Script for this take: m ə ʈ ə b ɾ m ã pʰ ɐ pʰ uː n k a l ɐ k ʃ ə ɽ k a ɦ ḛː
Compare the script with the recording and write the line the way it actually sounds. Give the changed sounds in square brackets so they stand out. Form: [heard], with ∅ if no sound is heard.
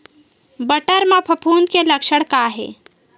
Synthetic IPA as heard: [b] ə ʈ ə [∅] ɾ m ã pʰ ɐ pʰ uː n k [e] l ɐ k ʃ ə ɽ k a ɦ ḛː